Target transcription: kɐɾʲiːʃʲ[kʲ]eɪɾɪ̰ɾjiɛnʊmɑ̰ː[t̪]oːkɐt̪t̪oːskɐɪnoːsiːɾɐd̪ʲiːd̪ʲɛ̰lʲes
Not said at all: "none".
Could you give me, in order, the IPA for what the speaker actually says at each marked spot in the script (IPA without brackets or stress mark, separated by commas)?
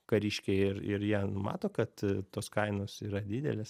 kʲ, t̪